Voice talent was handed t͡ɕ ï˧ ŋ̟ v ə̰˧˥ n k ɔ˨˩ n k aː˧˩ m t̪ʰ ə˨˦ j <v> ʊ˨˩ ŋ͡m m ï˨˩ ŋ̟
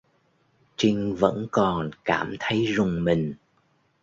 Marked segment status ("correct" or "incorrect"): incorrect